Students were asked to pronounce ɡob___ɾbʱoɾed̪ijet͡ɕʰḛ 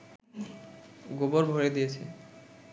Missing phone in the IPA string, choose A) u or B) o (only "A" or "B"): B